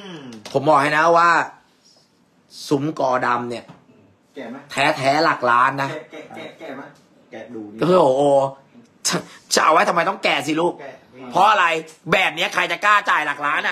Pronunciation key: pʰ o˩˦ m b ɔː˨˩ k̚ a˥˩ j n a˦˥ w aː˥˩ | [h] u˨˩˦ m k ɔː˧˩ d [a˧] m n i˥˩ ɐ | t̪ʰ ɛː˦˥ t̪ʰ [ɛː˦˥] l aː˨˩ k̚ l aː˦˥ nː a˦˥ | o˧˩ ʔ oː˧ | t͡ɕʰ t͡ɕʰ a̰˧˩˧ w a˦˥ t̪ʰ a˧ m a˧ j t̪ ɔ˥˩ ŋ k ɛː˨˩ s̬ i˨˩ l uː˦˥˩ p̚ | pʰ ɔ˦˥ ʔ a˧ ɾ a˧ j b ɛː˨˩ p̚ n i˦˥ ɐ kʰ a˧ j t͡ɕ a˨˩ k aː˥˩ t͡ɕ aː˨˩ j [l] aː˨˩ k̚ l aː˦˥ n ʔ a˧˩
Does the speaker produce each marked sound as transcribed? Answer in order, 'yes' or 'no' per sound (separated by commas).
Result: no, yes, yes, yes